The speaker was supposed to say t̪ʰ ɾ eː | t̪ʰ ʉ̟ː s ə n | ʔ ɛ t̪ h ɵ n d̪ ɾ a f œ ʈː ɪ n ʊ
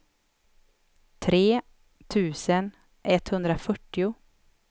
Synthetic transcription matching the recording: t̪ʰ ɾ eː | t̪ʰ ʉ̟ː s ə n | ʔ ɛ t̪ h ɵ n d̪ ɾ a f œ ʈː ɪ ʊ